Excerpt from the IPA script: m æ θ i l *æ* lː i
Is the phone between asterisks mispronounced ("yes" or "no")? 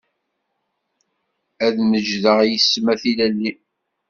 no